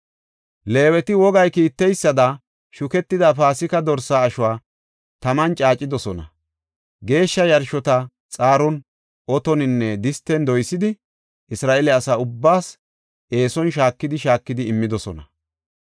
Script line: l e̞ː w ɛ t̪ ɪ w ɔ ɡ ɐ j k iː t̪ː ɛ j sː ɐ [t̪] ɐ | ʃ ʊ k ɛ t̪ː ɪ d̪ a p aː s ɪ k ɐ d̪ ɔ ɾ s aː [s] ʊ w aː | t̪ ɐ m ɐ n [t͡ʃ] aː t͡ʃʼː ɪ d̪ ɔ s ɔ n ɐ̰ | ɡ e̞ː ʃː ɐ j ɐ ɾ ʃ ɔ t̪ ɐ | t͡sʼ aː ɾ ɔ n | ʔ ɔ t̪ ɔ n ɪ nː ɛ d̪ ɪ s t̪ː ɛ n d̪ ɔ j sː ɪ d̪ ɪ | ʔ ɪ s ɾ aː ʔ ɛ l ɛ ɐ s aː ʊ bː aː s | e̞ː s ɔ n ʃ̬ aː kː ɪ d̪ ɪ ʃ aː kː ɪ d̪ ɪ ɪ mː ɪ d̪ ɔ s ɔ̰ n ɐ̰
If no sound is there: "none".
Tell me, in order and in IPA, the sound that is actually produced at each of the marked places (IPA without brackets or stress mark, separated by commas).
d̪, ʃ, t͡ʃʼ